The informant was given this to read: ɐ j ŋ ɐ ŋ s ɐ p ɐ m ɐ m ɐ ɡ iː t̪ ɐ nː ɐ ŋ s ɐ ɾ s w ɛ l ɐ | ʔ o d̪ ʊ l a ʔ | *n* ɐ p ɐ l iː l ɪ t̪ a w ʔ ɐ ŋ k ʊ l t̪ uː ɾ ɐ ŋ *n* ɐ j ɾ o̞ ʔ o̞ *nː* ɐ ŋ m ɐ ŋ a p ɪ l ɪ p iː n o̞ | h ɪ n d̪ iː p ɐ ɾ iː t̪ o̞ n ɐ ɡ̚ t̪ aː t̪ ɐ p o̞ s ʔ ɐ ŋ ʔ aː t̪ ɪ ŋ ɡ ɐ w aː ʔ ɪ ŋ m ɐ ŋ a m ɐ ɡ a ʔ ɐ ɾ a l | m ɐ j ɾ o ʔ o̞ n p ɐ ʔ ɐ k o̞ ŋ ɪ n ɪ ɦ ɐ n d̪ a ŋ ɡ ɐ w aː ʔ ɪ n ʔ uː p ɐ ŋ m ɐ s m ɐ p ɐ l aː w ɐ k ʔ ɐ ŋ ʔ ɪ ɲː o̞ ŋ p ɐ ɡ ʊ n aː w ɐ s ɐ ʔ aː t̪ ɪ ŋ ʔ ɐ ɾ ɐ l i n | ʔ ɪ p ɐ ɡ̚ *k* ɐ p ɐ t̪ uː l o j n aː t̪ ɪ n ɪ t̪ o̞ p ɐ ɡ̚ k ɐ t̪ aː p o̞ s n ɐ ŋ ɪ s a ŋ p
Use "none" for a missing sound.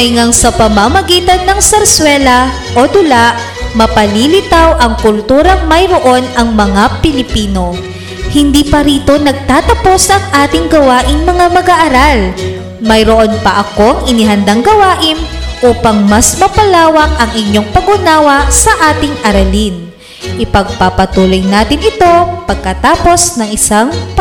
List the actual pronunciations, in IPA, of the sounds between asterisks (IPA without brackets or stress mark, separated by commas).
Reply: m, m, n, p